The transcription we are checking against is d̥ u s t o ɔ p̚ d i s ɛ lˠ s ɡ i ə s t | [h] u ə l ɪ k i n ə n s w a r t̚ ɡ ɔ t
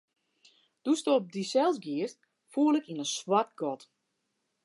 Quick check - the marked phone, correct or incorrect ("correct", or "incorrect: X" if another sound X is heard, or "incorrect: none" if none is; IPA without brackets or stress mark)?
incorrect: f